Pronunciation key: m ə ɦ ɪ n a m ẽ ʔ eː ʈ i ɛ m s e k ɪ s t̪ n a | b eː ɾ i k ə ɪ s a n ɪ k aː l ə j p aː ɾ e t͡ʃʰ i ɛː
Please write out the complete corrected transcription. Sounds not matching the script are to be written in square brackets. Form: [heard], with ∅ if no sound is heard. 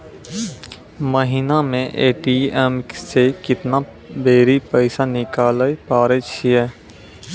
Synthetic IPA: m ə ɦ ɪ n a m ẽ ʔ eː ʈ i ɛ m s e k ɪ [∅] t̪ n a | b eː ɾ i [p] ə ɪ s a n ɪ k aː l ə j p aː ɾ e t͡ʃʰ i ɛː